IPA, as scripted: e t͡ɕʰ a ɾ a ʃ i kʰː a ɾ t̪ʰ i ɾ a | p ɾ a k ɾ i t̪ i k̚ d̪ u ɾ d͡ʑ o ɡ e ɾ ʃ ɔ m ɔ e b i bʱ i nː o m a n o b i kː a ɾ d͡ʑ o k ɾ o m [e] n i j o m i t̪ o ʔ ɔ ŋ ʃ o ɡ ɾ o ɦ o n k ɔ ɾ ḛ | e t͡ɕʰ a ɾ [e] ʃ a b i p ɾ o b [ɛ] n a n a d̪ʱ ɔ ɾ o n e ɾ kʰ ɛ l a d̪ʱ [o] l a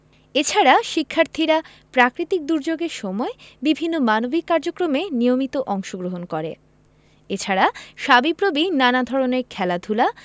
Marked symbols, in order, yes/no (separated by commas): yes, no, no, no